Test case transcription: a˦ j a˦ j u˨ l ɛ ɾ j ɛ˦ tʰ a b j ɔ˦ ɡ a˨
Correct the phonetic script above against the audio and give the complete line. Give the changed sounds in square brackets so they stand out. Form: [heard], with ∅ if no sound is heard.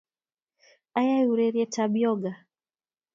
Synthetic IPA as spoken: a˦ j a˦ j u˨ [ɾ] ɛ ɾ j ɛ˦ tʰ a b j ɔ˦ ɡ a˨